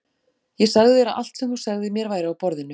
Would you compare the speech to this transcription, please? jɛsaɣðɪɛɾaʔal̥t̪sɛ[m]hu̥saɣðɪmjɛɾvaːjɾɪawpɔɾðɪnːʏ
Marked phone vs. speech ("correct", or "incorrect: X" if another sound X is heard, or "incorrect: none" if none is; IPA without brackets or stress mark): correct